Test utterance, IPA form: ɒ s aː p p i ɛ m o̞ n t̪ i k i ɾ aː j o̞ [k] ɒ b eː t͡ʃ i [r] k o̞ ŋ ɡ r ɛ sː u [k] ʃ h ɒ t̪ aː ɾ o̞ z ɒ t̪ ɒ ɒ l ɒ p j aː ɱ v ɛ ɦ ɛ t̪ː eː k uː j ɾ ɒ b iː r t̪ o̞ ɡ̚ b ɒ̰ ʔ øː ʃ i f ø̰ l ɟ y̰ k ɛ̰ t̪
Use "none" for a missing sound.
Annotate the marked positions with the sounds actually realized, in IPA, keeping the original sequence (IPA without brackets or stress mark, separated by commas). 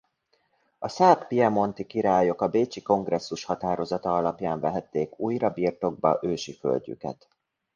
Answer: k, none, none